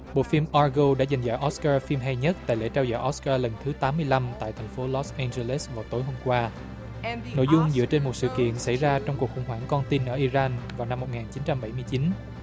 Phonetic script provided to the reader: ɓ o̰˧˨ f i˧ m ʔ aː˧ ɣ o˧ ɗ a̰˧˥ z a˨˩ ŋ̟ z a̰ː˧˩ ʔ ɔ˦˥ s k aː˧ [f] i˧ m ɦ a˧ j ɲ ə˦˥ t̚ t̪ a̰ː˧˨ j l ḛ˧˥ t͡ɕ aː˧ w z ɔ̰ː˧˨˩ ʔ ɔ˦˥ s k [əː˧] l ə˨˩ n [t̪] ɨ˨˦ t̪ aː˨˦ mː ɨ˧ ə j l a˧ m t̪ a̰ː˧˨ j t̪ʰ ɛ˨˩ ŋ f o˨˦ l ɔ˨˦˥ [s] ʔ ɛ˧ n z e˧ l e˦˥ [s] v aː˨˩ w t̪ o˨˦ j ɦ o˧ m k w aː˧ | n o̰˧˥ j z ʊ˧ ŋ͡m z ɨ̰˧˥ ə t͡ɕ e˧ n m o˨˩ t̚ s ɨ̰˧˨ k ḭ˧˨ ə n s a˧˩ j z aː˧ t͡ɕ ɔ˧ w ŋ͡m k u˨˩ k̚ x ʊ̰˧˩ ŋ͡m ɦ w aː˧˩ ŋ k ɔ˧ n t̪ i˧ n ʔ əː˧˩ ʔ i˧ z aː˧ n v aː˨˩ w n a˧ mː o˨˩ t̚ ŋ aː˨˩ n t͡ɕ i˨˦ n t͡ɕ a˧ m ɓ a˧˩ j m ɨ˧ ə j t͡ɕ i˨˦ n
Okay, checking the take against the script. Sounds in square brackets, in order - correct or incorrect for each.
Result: correct, incorrect, incorrect, correct, correct

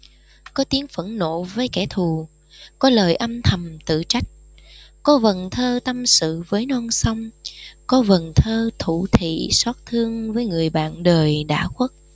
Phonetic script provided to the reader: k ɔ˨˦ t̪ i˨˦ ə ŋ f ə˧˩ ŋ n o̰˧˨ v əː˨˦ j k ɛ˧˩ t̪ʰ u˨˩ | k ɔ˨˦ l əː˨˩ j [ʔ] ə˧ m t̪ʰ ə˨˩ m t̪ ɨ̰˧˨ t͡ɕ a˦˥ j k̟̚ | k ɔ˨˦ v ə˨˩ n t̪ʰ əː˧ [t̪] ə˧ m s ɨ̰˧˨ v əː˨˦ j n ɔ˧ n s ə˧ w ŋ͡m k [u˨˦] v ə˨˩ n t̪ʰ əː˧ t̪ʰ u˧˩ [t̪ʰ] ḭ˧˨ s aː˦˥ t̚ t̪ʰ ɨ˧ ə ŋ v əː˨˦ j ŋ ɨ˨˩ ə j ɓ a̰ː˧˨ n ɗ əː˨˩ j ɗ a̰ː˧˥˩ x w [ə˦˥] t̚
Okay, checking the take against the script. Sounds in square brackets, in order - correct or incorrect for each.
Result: correct, correct, incorrect, correct, correct

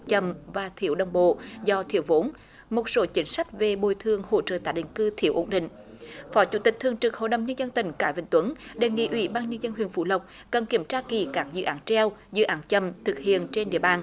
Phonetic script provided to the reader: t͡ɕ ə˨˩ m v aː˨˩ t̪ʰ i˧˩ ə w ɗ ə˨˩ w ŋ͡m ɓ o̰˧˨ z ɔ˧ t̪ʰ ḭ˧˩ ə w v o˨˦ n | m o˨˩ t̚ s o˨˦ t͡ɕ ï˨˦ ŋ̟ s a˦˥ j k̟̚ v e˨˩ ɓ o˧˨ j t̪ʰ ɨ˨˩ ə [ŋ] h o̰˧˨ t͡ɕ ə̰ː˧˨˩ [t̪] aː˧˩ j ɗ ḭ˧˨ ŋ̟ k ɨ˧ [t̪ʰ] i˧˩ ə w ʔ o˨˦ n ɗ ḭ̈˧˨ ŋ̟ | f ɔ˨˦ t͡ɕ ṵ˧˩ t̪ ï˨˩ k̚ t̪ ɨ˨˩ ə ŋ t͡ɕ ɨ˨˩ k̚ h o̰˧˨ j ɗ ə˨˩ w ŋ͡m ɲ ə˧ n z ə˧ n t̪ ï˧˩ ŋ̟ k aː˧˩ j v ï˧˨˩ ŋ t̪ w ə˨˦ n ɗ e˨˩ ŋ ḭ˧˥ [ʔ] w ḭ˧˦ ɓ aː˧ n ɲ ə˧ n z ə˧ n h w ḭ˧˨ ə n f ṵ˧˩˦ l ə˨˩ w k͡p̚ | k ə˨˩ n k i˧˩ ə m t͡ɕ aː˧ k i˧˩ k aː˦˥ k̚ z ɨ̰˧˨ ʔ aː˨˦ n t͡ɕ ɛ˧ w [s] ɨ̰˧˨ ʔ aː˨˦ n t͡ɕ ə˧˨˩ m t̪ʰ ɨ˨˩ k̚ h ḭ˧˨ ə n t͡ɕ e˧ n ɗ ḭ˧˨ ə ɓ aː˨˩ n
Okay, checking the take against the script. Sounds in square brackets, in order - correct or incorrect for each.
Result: correct, correct, correct, correct, incorrect

